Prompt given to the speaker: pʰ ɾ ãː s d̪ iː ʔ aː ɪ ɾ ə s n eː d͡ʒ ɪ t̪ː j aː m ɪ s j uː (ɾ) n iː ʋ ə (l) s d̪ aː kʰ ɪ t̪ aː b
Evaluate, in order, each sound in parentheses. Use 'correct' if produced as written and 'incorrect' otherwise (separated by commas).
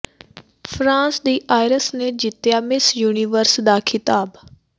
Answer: incorrect, incorrect